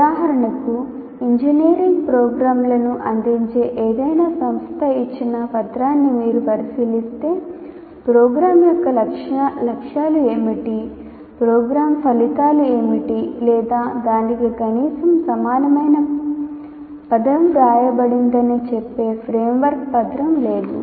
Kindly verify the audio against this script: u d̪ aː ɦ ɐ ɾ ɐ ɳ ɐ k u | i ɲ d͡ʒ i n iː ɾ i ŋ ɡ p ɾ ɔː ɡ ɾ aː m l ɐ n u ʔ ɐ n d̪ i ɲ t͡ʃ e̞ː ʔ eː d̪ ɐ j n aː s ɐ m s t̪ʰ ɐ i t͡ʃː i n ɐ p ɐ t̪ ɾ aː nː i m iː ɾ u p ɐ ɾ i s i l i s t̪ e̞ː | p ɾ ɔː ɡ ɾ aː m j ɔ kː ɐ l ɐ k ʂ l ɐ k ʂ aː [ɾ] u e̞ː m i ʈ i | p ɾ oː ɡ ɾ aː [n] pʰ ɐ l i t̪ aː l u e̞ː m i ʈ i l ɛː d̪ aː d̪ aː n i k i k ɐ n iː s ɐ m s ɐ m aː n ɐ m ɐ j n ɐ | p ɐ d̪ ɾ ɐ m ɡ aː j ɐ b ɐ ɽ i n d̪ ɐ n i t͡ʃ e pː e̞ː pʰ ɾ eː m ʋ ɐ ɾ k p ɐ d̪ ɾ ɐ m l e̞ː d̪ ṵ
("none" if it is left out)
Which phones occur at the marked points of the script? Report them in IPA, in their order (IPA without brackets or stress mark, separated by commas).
l, m